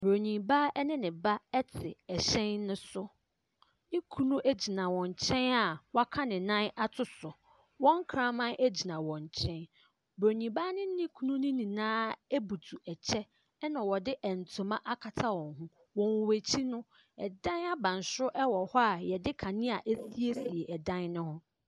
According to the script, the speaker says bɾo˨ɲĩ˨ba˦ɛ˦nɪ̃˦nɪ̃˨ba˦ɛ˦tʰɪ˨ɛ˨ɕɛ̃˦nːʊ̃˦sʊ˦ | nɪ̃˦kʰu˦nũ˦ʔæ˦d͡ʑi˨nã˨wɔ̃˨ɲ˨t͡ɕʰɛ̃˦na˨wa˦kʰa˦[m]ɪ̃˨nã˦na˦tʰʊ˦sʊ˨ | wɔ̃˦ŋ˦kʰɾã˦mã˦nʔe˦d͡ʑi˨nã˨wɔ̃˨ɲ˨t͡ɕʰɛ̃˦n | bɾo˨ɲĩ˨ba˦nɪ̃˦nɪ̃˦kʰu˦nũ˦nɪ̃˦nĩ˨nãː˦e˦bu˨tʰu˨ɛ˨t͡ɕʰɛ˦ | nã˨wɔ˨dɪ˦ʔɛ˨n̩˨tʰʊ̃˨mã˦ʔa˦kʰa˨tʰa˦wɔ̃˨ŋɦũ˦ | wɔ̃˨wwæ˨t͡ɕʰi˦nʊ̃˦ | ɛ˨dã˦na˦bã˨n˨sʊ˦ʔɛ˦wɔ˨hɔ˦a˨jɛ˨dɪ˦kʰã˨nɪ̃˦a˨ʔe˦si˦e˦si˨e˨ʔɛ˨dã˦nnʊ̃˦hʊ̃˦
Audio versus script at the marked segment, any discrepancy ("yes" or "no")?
yes